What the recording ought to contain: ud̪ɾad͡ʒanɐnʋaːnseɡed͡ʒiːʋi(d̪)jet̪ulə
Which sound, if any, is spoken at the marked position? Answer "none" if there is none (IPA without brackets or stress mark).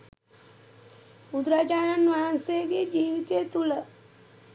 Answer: t̪